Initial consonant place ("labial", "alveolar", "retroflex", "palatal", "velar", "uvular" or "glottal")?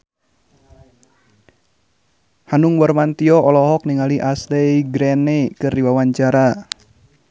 glottal